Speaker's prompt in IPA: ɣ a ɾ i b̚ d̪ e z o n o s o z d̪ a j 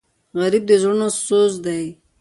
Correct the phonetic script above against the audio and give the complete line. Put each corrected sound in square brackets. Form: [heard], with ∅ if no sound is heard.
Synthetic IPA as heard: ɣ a ɾ i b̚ d̪ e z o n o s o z d̪ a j

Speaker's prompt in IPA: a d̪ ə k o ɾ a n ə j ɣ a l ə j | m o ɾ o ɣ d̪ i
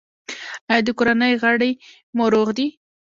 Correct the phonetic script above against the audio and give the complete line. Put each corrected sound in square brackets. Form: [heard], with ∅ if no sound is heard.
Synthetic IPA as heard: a d̪ ə k o ɾ a n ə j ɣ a [ɽ] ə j | m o ɾ o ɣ d̪ i

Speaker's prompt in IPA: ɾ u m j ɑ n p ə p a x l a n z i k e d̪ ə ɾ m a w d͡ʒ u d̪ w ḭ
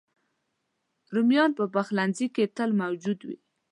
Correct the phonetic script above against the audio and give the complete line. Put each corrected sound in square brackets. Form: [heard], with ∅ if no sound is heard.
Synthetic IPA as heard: ɾ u m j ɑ n p ə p a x l a n z i k e [t̪] ə [l] m a w d͡ʒ u d̪ w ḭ

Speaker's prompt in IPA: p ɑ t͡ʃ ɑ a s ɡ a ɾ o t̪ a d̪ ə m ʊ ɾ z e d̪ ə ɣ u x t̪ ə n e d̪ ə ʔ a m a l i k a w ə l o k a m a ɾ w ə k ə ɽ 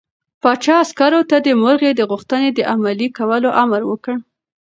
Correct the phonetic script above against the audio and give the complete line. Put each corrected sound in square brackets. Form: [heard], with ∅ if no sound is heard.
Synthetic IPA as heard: p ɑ t͡ʃ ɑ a s [k] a ɾ o t̪ a d̪ ə m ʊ ɾ [ɣ] e d̪ ə ɣ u x t̪ ə n e d̪ ə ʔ a m a l i k a w ə l o [ʔ] a m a ɾ w ə k ə ɽ

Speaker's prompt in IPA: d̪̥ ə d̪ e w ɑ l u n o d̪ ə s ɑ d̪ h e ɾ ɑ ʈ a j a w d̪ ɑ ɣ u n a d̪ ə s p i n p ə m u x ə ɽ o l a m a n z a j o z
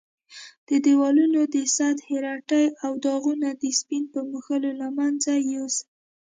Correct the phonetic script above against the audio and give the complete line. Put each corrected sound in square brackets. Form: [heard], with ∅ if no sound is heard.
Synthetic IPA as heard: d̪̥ ə d̪ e w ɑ l u n o d̪ ə s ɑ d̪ h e ɾ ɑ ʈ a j a w d̪ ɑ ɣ u n a d̪ ə s p i n p ə m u x ə [l] o l a m a n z a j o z

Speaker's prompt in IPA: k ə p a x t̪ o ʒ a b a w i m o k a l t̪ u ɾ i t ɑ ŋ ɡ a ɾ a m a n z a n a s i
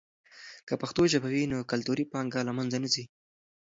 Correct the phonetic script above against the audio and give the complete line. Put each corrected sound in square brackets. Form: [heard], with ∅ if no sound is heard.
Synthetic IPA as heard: k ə p a x t̪ o ʒ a b a w i [n] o k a l t̪ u ɾ i [p] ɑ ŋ ɡ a [l] a m a n z a n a [z] i

